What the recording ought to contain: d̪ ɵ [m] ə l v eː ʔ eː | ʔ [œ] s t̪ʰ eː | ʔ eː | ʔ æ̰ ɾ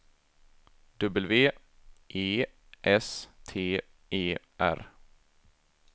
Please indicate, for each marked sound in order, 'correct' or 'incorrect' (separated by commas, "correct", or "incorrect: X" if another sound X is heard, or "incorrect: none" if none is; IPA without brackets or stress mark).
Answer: incorrect: b, incorrect: ɛ